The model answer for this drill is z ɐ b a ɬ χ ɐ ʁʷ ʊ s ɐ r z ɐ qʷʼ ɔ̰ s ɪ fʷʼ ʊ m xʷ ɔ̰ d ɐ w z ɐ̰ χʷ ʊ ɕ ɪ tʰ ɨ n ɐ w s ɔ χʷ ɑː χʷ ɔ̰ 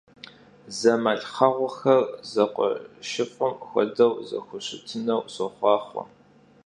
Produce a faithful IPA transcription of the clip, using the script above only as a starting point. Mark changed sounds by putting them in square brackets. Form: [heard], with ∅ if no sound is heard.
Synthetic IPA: z ɐ [m] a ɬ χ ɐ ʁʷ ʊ [x] ɐ r z ɐ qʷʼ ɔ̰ [ʃ] ɪ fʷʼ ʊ m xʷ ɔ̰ d ɐ w z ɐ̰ [xʷ] ʊ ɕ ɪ tʰ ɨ n ɐ w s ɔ χʷ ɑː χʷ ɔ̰